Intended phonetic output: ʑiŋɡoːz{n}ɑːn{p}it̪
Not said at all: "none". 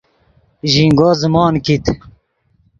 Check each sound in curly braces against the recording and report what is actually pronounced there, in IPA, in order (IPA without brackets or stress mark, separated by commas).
m, k